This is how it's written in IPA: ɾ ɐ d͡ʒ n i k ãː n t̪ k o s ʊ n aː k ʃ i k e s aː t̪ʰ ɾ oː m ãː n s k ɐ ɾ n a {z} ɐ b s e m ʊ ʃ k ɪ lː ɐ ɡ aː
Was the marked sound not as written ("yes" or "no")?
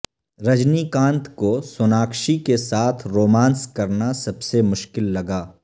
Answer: yes